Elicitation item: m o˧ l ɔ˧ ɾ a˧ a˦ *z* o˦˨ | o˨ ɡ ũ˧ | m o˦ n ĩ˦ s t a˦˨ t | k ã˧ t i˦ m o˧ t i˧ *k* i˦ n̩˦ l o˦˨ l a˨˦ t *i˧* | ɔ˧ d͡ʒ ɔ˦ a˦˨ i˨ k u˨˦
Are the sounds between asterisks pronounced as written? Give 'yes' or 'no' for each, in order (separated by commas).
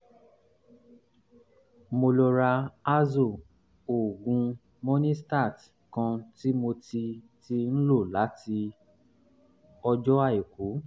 yes, no, yes